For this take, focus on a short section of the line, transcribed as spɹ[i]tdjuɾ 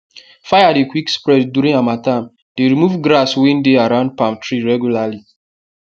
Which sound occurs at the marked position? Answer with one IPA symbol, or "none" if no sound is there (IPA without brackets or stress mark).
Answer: ɛ